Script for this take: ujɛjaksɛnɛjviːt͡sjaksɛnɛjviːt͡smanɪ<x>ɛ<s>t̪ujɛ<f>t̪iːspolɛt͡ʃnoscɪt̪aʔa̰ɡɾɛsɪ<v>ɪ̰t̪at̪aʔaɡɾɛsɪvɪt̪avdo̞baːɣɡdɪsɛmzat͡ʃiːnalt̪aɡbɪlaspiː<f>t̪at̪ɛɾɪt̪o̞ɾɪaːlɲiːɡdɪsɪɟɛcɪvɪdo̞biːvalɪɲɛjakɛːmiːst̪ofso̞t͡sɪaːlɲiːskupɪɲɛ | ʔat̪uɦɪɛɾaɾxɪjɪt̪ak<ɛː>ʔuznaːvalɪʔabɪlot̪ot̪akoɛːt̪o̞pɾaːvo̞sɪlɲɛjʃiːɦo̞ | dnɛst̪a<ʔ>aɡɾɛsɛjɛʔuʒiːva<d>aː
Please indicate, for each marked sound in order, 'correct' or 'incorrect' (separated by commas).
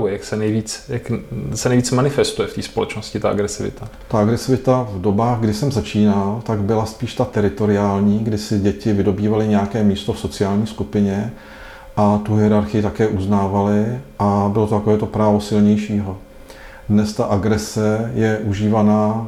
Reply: incorrect, correct, correct, correct, incorrect, correct, correct, incorrect